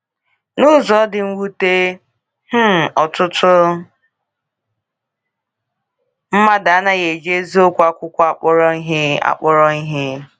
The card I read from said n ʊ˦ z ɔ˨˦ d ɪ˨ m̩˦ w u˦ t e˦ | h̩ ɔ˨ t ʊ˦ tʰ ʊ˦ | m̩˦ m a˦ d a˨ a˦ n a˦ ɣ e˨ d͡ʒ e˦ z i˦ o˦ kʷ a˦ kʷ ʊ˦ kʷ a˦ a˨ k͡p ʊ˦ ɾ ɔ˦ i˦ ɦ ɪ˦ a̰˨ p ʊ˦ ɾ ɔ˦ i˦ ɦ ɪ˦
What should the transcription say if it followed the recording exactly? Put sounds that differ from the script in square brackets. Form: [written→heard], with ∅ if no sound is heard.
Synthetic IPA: n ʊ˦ z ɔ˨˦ d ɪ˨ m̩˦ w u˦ t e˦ | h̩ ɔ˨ t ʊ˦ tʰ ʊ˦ | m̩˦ m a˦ d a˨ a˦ n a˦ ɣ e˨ d͡ʒ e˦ z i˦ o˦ kʷ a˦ kʷ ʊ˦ kʷ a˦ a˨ k͡p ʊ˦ ɾ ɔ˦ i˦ ɦ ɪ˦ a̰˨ [p→k͡p] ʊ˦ ɾ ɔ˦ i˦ ɦ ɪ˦